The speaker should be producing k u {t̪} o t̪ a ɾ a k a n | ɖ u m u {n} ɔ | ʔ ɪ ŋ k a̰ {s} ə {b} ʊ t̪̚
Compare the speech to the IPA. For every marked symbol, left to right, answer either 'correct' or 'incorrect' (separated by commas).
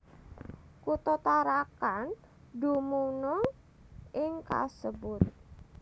correct, correct, correct, correct